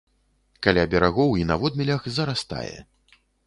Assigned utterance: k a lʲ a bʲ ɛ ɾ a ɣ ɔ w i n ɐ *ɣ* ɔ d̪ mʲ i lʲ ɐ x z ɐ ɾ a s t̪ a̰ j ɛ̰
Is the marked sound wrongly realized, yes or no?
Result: yes